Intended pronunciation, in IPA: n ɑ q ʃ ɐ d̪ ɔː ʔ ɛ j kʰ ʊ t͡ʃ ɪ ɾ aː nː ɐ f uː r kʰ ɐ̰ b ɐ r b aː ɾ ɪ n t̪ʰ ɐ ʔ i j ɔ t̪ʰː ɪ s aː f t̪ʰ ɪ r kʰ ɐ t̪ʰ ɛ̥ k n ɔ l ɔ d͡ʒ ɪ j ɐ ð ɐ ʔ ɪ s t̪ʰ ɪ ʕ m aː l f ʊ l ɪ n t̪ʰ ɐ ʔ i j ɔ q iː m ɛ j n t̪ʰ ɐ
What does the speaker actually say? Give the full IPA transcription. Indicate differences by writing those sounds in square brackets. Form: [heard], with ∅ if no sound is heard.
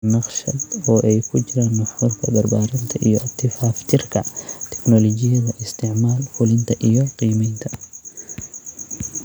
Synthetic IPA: n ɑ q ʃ ɐ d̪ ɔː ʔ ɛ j kʰ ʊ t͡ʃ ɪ ɾ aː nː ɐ f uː r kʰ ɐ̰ b ɐ r b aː ɾ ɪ n t̪ʰ ɐ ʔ i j ɔ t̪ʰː ɪ [f] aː f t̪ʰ ɪ r kʰ ɐ t̪ʰ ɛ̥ k n ɔ l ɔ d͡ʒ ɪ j ɐ ð ɐ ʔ ɪ s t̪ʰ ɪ ʕ m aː l f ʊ l ɪ n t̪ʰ ɐ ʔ i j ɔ q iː m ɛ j n t̪ʰ ɐ